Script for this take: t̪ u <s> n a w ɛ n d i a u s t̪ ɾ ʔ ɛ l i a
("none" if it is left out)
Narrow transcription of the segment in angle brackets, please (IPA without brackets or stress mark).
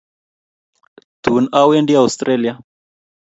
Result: none